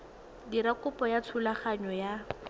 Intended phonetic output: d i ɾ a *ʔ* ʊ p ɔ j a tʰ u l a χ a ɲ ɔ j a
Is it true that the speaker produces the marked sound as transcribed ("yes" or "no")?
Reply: no